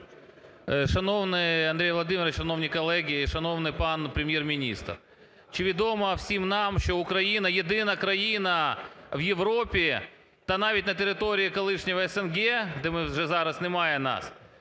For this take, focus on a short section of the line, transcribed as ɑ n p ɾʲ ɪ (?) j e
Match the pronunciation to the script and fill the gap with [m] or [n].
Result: m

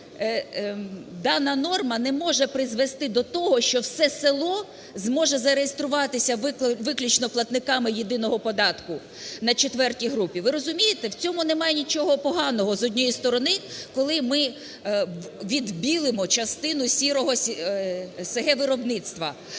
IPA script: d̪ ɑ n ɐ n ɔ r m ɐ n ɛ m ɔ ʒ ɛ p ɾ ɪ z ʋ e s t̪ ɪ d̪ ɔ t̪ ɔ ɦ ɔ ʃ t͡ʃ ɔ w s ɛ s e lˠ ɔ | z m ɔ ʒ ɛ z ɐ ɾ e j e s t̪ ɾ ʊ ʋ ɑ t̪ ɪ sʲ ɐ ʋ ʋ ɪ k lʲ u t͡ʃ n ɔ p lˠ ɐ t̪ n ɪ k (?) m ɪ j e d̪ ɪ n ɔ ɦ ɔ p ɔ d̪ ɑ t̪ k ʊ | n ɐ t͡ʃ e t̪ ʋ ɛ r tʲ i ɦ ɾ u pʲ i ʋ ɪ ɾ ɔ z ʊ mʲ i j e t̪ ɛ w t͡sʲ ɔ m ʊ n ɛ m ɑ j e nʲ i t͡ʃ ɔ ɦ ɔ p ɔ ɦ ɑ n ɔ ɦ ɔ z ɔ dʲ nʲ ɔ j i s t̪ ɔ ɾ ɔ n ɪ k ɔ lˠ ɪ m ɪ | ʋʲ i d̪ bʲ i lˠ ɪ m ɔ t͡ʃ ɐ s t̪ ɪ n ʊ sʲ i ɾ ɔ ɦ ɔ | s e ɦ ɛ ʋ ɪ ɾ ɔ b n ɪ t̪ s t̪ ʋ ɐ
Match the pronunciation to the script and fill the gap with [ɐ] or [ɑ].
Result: ɑ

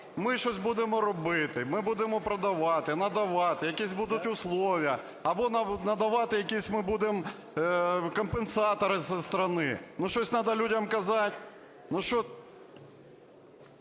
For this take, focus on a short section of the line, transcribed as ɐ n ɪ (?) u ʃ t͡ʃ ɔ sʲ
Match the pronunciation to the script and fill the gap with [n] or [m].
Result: n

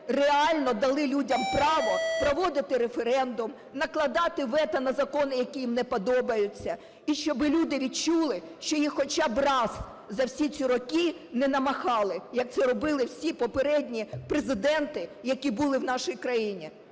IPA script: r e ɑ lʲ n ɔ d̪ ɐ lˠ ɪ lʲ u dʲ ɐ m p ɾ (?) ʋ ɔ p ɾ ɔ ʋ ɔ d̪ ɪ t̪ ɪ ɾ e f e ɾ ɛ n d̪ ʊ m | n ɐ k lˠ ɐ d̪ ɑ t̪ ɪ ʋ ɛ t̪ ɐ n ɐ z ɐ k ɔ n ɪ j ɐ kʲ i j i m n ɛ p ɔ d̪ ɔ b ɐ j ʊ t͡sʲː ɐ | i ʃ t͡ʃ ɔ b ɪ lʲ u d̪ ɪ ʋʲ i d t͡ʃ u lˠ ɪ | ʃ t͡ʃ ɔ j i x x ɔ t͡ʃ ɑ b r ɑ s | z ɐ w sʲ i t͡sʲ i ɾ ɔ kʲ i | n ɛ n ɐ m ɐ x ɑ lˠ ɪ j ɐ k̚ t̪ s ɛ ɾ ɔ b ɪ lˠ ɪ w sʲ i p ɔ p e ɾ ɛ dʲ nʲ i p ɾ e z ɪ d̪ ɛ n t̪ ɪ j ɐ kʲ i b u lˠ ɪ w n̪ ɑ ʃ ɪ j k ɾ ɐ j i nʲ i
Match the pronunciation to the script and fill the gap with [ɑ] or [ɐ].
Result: ɑ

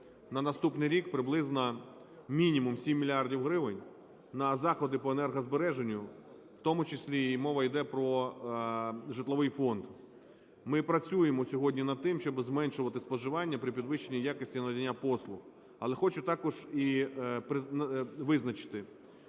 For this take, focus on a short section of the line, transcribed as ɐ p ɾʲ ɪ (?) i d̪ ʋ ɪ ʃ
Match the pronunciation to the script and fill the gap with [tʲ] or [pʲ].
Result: pʲ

